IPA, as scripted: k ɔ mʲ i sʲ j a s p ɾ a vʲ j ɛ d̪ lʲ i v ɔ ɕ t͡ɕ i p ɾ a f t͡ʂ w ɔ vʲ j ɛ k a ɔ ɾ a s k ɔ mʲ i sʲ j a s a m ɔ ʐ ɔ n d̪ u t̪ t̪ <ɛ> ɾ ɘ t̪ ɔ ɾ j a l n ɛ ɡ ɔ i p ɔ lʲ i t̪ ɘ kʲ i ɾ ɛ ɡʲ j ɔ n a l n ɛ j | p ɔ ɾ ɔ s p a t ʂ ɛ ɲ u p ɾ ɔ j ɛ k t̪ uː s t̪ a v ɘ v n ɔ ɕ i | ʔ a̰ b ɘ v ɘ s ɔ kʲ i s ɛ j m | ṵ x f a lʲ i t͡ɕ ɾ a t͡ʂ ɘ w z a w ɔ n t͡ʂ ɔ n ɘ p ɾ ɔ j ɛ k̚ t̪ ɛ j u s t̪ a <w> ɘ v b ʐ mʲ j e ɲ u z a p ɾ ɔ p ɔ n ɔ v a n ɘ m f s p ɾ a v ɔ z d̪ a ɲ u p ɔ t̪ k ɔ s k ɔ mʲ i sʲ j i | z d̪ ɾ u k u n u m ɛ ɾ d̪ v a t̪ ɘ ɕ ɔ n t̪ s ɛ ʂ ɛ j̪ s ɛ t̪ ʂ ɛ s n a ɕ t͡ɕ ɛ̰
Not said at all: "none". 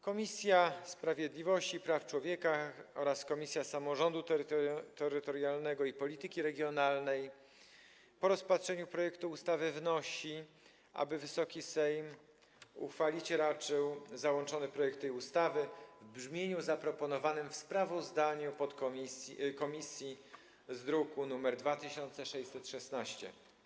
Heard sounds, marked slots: ɛ, v

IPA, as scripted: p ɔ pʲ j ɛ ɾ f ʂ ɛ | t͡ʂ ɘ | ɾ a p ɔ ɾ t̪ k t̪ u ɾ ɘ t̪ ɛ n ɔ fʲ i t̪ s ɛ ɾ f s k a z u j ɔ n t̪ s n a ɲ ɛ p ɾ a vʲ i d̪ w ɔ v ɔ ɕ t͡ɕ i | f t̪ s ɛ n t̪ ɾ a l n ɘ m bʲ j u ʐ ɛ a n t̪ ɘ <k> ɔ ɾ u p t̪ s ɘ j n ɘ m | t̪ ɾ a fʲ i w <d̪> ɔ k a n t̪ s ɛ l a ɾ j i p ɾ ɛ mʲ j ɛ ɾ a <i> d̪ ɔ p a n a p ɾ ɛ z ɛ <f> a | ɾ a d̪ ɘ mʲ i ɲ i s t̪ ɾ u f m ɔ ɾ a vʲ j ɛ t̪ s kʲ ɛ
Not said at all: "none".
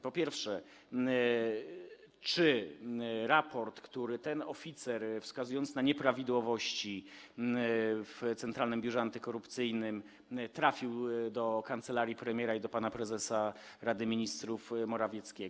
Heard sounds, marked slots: k, d̪, i, s

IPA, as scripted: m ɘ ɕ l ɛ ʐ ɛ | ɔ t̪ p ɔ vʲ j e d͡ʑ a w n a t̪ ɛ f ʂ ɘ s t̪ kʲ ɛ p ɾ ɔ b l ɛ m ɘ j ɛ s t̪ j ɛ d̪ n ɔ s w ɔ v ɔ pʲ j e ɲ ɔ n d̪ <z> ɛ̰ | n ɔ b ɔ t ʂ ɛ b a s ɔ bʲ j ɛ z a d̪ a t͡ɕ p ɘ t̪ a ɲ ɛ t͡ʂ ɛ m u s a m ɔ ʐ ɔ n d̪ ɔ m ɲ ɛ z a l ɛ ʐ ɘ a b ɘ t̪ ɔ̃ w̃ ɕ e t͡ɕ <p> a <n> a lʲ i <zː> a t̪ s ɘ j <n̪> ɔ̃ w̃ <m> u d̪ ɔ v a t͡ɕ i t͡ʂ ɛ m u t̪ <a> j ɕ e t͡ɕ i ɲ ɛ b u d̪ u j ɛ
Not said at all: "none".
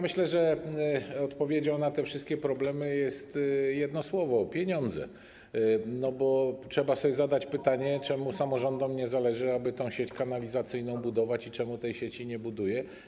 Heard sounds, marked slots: z, k, n, z, n̪, b, ɛ

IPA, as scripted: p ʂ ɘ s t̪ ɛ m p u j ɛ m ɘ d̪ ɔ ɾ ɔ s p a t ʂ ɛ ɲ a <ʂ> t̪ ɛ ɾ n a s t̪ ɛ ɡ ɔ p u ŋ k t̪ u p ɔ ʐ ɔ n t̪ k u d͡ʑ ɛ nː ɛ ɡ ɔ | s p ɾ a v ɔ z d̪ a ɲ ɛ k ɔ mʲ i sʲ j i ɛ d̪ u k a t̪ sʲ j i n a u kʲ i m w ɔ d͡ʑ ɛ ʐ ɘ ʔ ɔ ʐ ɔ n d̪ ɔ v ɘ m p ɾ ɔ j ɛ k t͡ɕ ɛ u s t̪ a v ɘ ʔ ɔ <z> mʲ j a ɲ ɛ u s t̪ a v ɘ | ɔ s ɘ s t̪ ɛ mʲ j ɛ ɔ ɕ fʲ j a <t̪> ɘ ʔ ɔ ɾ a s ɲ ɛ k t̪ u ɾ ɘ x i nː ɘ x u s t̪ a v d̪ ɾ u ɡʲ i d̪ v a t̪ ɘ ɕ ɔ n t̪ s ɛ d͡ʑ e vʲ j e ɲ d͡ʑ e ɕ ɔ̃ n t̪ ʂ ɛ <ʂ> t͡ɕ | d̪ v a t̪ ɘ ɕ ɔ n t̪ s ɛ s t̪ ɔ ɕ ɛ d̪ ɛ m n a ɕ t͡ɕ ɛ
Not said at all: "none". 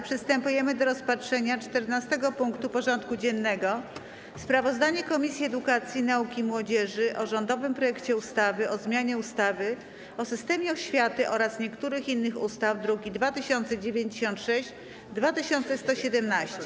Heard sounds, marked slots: t͡ʂ, z, t̪, ɕ

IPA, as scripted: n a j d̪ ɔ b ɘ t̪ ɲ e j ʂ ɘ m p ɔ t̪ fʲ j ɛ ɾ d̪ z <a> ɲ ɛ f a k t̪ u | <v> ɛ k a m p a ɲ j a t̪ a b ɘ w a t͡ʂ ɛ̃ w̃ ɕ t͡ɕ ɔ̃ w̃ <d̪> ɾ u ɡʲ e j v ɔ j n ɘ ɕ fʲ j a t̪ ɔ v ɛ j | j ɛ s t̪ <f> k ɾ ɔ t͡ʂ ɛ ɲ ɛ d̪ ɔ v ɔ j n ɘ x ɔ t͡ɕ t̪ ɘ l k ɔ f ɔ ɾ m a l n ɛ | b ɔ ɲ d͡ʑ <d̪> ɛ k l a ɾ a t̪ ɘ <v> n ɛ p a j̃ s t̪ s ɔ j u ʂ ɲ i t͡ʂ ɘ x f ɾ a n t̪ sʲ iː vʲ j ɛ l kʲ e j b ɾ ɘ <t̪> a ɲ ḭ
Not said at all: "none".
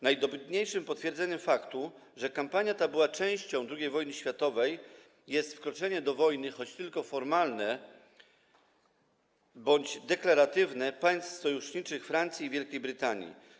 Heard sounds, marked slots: ɛ, ʐ, d̪, f, d̪, v, t̪

